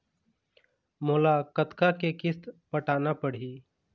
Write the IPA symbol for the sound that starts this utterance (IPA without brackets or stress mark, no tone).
m